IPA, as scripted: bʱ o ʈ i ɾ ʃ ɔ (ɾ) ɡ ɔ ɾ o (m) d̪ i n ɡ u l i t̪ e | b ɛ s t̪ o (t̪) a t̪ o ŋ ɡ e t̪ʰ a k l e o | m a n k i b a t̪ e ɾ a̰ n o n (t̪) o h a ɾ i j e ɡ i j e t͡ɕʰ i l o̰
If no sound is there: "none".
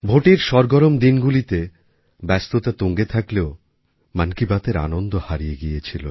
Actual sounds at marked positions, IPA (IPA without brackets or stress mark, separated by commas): ɾ, m, t̪, d̪